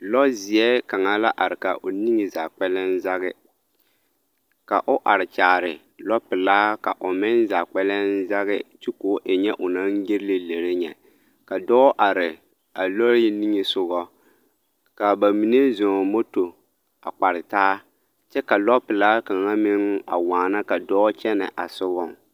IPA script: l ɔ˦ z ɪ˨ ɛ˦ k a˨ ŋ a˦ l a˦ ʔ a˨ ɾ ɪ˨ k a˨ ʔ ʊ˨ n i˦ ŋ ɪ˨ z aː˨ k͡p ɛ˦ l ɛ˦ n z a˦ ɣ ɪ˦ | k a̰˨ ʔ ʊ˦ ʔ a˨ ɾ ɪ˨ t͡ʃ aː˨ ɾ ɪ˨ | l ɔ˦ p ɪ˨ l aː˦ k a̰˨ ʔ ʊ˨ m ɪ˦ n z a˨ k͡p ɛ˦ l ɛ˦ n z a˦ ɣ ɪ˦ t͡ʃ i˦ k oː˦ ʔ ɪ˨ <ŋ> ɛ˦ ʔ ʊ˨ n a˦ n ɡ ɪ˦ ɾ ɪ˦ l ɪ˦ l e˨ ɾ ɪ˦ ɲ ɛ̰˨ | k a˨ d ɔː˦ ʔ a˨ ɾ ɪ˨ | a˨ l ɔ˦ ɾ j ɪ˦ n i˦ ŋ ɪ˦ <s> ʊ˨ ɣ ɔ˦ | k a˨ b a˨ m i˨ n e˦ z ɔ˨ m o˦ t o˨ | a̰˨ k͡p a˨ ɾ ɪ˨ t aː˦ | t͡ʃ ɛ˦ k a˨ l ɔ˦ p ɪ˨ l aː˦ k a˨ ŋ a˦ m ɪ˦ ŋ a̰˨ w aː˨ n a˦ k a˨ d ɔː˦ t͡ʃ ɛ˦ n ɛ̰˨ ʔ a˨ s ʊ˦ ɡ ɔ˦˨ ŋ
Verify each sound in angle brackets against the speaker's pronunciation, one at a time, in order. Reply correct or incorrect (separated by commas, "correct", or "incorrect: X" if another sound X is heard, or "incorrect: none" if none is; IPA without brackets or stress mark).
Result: incorrect: ɲ, correct